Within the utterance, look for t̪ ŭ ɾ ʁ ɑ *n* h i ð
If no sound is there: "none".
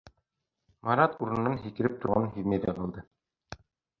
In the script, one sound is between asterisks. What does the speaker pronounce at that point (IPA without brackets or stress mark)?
n